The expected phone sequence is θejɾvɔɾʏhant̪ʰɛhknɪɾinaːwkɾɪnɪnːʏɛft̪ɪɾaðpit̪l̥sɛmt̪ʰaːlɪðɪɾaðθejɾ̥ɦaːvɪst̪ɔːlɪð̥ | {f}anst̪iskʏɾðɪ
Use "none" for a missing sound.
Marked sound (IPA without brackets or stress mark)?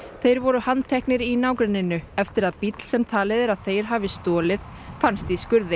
f